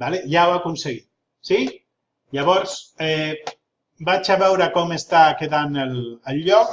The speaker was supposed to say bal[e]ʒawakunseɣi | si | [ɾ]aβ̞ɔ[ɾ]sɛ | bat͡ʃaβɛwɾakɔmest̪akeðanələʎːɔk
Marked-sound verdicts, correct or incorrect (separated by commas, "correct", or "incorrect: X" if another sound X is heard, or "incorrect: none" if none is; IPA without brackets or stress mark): correct, incorrect: ʎ, correct